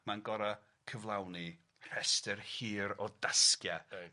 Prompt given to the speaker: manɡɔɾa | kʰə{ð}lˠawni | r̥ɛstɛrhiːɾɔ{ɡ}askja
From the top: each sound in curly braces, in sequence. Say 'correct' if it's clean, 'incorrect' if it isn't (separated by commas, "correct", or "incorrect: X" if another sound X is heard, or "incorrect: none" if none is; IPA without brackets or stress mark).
incorrect: v, incorrect: d